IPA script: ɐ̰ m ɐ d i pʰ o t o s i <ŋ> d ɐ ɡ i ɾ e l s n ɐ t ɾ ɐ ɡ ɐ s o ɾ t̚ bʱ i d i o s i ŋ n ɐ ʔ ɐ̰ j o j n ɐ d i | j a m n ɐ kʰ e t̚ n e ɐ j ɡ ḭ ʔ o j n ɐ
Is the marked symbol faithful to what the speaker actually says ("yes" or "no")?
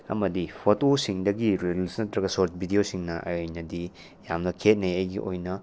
yes